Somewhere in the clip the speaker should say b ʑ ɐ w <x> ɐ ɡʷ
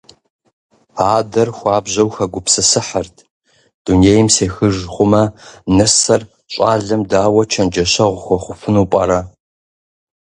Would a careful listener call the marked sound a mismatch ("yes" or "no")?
no